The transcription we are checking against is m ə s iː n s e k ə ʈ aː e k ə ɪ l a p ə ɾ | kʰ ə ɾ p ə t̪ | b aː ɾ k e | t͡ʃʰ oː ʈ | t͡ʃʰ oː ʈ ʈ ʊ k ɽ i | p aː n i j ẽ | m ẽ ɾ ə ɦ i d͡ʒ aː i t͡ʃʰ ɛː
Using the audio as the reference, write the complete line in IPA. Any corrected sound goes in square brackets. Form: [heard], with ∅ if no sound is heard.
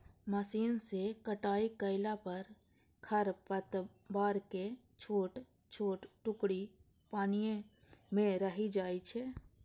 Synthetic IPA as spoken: m ə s iː n s e k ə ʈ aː [i] k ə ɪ l a p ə ɾ | kʰ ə ɾ p ə t̪ | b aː ɾ k e | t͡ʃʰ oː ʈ | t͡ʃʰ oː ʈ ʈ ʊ k ɽ i | p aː n i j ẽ | m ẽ ɾ ə ɦ i d͡ʒ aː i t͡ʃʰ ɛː